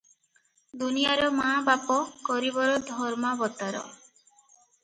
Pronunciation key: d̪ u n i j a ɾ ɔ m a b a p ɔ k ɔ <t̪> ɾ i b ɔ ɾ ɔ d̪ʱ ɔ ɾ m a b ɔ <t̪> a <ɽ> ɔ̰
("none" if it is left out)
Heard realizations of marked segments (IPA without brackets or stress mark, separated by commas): none, t̪, ɾ